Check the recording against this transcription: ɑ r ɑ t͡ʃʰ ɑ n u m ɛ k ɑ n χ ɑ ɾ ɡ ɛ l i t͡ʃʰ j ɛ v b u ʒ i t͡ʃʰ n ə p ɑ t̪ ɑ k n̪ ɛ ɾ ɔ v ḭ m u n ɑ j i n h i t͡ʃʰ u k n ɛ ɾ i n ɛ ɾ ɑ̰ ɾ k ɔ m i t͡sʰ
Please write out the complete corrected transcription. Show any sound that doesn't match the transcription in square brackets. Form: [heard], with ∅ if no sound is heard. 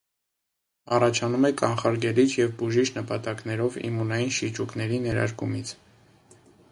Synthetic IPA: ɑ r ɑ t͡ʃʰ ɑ n u m ɛ k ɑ n χ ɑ ɾ ɡ ɛ l i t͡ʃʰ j ɛ v b u ʒ i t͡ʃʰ n ə p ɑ t̪ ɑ k n̪ ɛ ɾ ɔ v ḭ m u n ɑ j i n [ʃ] i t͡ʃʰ u k n ɛ ɾ i n ɛ ɾ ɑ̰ ɾ k [u] m i t͡sʰ